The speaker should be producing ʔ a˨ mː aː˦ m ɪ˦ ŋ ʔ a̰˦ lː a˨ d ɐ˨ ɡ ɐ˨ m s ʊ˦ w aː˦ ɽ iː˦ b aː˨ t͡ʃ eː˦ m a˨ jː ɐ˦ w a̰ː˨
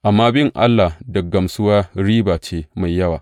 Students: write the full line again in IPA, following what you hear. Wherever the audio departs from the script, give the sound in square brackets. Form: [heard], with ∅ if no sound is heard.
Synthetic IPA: ʔ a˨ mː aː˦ [b] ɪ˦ ŋ ʔ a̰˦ lː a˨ d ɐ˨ ɡ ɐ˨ m s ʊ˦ w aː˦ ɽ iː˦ b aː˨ t͡ʃ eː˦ m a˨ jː ɐ˦ w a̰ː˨